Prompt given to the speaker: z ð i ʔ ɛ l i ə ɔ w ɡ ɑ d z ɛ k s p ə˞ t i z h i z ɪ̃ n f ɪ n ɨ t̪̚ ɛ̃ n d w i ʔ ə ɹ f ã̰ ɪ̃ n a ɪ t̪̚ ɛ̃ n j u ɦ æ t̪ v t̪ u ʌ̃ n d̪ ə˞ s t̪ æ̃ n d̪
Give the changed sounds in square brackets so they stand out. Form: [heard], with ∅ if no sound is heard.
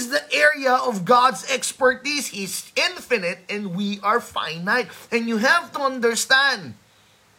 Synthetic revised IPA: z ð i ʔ ɛ [ɹ] i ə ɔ [v] ɡ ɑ d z ɛ k s p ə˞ t i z h i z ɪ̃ n f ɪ n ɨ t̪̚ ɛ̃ n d w i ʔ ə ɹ f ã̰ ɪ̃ n a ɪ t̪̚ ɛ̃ n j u ɦ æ [∅] v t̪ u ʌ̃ n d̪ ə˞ s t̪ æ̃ n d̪